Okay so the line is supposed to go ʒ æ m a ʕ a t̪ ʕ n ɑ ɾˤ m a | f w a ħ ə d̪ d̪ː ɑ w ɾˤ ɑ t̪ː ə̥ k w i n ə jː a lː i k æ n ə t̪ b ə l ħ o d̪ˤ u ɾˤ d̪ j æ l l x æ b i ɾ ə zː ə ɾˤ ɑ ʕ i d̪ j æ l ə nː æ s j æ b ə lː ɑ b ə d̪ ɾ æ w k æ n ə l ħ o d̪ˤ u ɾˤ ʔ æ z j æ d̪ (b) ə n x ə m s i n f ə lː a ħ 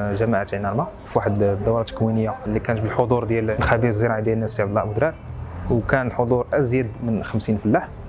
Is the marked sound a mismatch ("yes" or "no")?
yes